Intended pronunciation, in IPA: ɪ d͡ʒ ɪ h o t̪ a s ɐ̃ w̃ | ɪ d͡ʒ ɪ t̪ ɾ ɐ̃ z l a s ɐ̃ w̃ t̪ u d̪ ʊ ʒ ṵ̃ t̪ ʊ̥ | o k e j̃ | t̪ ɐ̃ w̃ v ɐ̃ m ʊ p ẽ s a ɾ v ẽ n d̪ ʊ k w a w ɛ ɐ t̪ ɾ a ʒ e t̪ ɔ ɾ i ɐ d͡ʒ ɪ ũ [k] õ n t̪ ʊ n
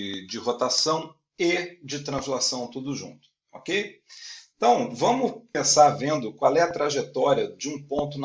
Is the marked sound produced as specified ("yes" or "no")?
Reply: no